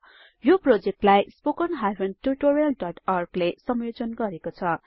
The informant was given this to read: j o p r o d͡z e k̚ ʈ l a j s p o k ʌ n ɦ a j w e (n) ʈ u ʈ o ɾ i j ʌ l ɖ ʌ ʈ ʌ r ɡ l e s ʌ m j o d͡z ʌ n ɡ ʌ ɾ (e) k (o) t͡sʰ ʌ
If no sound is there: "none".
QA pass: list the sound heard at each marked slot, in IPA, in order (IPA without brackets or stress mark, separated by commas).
n, e, o